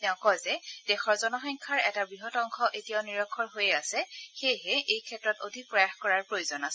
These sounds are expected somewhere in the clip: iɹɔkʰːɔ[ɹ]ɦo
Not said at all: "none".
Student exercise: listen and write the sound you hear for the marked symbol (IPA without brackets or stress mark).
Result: ɹ